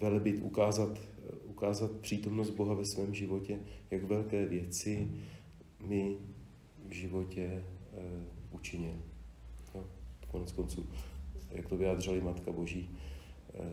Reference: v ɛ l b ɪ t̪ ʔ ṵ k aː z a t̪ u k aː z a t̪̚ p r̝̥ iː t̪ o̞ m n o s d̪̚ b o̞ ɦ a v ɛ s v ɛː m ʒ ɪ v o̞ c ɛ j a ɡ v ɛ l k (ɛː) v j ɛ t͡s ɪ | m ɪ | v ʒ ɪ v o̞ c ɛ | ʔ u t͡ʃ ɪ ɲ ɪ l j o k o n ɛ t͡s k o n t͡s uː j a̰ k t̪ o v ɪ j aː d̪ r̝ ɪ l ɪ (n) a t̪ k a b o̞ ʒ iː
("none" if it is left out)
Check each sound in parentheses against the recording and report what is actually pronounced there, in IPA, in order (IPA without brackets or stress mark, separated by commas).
ɛː, m